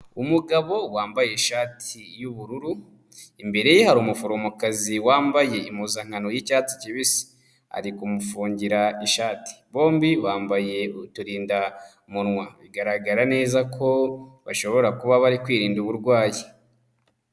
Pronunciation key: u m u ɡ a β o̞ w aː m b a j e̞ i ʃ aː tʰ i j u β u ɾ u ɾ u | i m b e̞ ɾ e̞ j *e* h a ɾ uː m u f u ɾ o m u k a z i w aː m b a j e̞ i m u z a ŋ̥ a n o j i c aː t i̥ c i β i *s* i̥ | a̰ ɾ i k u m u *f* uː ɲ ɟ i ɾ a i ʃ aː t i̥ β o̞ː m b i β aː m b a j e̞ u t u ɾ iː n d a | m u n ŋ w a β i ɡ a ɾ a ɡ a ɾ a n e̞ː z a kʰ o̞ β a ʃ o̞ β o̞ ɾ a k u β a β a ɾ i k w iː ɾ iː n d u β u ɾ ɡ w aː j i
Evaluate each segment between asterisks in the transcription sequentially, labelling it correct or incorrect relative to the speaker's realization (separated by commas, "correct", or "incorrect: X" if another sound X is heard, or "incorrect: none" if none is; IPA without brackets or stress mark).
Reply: correct, correct, correct